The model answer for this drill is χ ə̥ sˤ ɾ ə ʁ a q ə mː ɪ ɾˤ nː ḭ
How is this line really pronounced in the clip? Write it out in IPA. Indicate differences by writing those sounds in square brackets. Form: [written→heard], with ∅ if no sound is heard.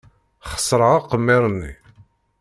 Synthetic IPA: χ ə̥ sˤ ɾ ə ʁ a q ə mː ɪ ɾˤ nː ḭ